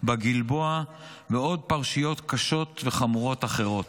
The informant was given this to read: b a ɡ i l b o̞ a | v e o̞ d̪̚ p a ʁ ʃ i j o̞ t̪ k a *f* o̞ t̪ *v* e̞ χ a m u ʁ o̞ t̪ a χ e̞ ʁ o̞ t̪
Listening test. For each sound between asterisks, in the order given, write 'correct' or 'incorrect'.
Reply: incorrect: ʃ, correct

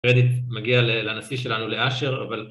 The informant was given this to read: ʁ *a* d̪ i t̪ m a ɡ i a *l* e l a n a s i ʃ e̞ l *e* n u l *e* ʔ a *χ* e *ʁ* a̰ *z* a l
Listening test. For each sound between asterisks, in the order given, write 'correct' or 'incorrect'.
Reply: incorrect: e, correct, incorrect: a, correct, incorrect: ʃ, correct, incorrect: v

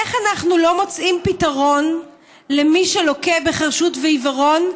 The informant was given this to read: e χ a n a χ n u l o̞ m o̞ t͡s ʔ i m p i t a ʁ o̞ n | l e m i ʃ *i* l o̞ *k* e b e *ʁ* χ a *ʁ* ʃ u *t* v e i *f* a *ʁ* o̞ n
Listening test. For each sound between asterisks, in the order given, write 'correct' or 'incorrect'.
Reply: incorrect: e, correct, incorrect: none, correct, correct, incorrect: v, correct

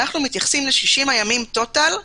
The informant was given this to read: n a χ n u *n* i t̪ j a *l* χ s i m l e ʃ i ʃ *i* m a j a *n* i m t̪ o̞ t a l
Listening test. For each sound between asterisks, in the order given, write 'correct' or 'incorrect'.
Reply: incorrect: m, incorrect: none, correct, incorrect: m

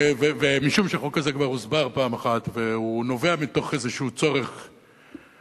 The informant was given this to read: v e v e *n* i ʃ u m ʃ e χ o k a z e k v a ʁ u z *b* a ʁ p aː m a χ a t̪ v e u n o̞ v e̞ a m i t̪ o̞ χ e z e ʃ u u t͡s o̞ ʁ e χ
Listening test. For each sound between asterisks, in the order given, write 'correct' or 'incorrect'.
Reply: incorrect: m, correct

